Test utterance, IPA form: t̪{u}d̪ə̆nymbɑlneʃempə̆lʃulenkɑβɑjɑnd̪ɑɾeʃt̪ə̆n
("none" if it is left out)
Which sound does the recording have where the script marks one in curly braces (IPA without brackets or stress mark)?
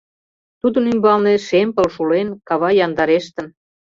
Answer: u